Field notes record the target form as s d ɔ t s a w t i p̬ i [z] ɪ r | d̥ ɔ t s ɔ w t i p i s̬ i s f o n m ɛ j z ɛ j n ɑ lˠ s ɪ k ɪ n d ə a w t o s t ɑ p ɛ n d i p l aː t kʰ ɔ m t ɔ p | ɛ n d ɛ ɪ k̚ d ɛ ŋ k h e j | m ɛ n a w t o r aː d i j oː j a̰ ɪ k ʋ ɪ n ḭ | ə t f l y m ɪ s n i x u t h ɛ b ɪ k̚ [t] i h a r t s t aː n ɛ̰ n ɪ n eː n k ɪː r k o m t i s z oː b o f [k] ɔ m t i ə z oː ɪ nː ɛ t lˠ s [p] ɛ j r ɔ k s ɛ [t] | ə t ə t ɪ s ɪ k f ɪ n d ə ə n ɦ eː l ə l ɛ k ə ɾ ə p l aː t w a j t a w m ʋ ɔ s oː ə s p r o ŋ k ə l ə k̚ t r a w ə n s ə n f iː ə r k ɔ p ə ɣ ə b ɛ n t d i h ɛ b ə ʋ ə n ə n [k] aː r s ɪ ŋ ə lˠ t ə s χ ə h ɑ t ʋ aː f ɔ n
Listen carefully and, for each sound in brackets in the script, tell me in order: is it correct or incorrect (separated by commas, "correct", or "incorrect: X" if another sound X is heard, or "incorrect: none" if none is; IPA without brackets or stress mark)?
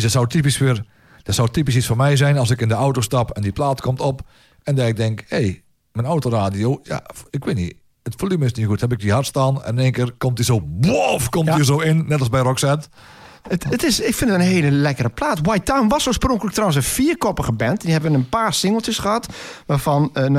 incorrect: s, incorrect: d, correct, incorrect: b, correct, incorrect: p